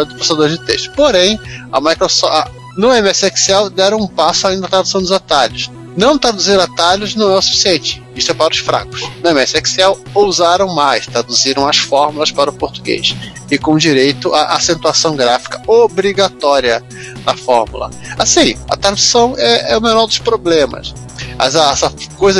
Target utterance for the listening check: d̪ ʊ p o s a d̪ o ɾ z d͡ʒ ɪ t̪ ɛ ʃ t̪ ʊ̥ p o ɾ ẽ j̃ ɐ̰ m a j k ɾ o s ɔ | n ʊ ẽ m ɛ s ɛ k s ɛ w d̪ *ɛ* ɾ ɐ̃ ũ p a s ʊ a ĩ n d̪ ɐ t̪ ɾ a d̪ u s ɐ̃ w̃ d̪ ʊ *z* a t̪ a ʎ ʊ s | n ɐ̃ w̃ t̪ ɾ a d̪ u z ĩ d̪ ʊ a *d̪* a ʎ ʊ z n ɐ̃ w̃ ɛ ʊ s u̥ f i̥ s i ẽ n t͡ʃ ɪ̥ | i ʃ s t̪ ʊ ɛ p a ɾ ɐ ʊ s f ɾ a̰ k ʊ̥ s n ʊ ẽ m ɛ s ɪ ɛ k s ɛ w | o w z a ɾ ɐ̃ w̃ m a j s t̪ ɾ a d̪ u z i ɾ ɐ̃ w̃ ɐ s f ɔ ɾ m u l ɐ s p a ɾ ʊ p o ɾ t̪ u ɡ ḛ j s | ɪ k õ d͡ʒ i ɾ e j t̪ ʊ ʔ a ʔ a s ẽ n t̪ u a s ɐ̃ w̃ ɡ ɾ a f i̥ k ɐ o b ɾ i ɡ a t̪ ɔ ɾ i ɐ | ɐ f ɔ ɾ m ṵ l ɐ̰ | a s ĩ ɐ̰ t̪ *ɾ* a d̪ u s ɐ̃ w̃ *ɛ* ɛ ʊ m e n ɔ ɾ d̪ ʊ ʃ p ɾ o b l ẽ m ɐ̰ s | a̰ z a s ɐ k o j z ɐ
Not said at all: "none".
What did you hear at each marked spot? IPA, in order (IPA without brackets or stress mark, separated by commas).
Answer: ɛ, z, t̪, ɾ, ɛ